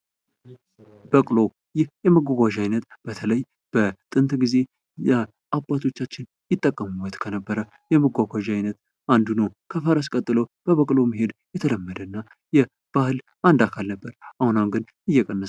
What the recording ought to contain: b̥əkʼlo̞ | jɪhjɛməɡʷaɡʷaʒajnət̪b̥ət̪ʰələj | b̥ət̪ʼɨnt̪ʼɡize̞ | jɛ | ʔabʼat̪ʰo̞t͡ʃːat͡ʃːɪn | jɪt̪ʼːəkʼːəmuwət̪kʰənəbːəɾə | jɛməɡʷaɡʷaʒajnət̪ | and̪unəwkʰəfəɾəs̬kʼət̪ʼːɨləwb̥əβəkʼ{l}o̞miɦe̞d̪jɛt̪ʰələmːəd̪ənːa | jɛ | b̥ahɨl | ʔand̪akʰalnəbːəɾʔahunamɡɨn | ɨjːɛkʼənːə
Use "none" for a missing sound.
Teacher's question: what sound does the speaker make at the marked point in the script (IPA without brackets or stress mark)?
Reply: l